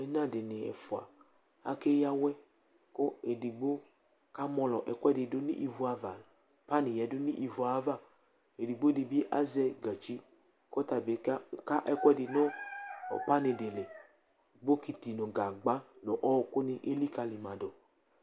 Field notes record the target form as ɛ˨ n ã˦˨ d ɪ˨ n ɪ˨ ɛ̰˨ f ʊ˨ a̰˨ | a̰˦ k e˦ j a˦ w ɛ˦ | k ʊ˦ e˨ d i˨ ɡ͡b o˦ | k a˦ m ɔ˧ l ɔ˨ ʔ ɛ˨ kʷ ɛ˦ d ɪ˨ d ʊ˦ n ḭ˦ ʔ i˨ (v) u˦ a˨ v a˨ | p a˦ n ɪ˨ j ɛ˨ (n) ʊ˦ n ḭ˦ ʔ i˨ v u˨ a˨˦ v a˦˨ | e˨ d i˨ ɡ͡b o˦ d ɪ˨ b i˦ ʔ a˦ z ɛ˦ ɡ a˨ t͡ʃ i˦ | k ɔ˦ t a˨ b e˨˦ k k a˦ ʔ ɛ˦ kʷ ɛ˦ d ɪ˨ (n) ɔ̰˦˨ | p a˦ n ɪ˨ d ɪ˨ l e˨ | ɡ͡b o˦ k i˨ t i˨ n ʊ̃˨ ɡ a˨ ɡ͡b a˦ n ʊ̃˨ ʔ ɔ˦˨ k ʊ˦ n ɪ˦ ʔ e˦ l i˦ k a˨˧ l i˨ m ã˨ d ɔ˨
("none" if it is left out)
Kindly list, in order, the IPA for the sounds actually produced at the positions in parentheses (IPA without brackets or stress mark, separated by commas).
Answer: v, d, n